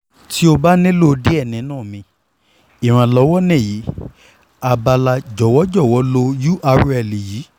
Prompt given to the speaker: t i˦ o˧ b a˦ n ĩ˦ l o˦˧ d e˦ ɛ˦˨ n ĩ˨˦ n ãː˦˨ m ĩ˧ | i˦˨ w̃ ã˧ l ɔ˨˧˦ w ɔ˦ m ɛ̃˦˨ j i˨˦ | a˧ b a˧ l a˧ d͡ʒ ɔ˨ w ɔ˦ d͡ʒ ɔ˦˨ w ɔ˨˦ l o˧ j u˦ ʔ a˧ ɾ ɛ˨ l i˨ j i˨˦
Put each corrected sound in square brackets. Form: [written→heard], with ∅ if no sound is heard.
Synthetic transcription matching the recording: t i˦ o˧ b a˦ n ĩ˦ l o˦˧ d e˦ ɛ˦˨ n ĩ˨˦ n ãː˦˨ m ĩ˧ | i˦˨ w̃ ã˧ l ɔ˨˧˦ w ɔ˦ [m→n] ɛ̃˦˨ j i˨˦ | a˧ b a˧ l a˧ d͡ʒ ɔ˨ w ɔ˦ d͡ʒ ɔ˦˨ w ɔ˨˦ l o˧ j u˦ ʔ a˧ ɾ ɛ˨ l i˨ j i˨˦

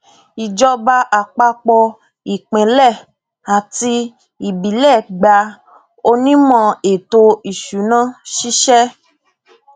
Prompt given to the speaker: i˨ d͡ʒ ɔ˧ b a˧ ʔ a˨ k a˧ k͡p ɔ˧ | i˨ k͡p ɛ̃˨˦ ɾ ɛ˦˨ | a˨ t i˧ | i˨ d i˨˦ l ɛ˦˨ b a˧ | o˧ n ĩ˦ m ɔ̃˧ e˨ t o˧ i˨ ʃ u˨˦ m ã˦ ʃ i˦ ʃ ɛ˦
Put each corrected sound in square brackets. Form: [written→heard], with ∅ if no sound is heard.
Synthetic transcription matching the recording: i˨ d͡ʒ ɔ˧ b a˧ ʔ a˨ [k→k͡p] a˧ k͡p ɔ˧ | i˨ k͡p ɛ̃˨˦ [ɾ→l] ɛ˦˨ | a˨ t i˧ | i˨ [d→b] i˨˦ l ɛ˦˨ [b→ɡ͡b] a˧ | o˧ n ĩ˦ m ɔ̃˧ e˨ t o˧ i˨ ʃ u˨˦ [m→n] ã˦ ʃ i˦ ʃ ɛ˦

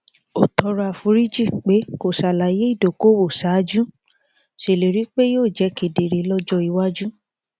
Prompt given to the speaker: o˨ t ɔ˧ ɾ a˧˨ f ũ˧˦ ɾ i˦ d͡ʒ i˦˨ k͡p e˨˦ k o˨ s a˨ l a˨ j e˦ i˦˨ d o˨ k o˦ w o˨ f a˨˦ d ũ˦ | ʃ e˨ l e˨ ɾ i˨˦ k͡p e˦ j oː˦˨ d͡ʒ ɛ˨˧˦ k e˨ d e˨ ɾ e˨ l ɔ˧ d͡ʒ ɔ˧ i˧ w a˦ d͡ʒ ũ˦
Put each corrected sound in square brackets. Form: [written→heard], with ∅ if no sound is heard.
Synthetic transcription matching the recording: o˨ t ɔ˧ ɾ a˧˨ f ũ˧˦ ɾ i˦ d͡ʒ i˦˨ k͡p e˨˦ k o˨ s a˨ l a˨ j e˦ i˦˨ d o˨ k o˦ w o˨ [f→s] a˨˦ [d→d͡ʒ] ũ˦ | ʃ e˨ l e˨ ɾ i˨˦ k͡p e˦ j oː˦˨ d͡ʒ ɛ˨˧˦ k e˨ d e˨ ɾ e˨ l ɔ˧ d͡ʒ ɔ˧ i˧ w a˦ d͡ʒ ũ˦

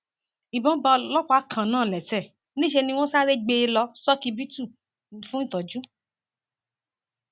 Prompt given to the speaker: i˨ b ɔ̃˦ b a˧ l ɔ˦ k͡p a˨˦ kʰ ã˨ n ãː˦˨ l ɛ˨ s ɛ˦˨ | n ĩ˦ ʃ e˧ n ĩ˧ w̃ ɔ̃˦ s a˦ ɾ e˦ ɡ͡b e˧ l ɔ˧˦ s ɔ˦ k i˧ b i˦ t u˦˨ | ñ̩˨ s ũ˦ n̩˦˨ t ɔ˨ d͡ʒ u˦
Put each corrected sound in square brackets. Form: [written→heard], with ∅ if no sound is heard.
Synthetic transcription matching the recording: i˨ b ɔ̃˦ b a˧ l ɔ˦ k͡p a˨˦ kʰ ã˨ n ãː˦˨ l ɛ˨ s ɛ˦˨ | n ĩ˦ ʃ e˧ n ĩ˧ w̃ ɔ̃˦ s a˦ ɾ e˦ ɡ͡b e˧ l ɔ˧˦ s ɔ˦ k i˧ b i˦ t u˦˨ | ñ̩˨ [s→f] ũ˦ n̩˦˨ t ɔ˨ d͡ʒ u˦

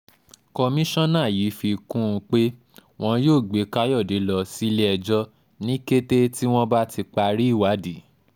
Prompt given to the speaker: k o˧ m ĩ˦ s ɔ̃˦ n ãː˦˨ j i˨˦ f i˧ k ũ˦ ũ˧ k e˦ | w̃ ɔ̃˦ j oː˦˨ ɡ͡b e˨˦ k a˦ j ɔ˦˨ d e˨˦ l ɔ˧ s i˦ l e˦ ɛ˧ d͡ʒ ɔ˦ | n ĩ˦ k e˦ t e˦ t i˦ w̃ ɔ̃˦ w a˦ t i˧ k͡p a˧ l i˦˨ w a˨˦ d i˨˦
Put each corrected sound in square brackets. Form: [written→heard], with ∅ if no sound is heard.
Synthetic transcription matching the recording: k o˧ m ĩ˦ [s→ʃ] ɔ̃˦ n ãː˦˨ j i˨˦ f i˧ k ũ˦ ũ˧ [k→k͡p] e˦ | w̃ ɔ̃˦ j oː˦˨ ɡ͡b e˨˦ k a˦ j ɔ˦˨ d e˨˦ l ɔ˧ s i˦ l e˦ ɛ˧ d͡ʒ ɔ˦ | n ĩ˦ k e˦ t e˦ t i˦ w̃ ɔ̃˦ [w→b] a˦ t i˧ k͡p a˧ [l→ɾ] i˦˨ w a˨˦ d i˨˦

